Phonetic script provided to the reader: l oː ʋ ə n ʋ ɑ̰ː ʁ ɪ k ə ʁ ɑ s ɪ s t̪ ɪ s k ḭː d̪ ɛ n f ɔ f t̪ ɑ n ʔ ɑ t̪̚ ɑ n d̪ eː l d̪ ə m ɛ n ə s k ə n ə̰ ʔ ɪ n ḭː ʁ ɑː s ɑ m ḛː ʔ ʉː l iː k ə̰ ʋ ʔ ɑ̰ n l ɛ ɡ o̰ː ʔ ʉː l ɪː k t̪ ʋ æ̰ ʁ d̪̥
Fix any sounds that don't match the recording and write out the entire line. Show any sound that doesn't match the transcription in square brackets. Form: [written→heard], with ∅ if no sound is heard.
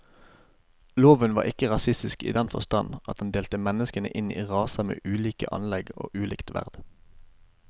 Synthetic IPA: l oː ʋ ə n ʋ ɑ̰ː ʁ ɪ k ə ʁ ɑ s ɪ s t̪ ɪ s k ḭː d̪ ɛ n f ɔ [f→s] t̪ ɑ n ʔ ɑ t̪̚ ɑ n d̪ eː l [d̪→t̪] ə m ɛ n ə s k ə n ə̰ ʔ ɪ n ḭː ʁ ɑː s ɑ m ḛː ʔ ʉː l iː k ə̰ [ʋ→∅] ʔ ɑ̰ n l ɛ ɡ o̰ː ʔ ʉː l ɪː k t̪ ʋ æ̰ ʁ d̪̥